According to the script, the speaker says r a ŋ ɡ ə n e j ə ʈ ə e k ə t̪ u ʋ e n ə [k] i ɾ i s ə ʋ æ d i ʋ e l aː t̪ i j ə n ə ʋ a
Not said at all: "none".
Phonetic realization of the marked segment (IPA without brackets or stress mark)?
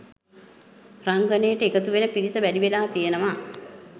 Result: p